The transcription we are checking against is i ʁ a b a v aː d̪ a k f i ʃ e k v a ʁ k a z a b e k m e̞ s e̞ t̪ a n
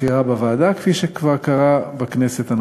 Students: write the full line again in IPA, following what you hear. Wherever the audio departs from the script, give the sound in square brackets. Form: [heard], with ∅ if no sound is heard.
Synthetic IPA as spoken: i ʁ a b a v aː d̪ a k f i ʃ e k v a ʁ k a [ʁ] a b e k [n] e̞ s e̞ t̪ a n